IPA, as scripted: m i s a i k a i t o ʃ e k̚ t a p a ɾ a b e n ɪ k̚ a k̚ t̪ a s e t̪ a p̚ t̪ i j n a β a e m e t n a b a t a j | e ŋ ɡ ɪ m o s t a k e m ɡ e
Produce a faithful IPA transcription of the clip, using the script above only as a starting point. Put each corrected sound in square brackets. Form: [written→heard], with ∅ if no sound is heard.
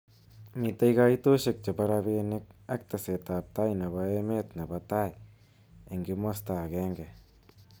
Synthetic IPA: m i [s→t] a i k a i t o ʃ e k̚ [t→t͡ʃ] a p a ɾ a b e n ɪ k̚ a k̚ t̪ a s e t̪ a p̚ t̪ [i→a] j n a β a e m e t n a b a t a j | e ŋ ɡ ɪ m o s t a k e [m→ŋ] ɡ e